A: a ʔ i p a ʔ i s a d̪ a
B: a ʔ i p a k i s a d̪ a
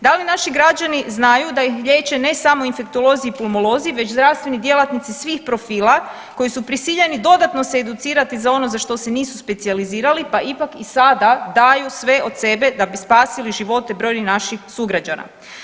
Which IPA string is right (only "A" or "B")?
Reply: B